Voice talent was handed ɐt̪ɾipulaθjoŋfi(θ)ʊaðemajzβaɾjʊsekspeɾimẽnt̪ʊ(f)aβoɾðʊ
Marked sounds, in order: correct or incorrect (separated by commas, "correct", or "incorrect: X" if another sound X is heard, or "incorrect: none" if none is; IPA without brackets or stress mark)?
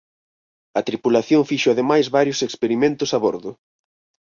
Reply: incorrect: ʃ, incorrect: s